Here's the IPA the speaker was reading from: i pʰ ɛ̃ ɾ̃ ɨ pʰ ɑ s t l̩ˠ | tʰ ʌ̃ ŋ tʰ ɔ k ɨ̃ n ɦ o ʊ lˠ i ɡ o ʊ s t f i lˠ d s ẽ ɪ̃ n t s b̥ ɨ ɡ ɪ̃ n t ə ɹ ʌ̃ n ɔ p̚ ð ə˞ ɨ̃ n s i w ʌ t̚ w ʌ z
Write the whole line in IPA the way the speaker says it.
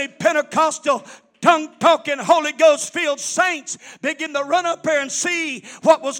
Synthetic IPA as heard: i pʰ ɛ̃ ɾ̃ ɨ kʰ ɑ s t l̩ˠ | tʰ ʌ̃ ŋ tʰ ɔ k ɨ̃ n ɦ o ʊ lˠ i ɡ o ʊ s t f i lˠ d s ẽ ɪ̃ n t s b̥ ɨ ɡ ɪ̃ n t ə ɹ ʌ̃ n ʌ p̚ ð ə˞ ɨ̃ n s i w ʌ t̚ w ʌ z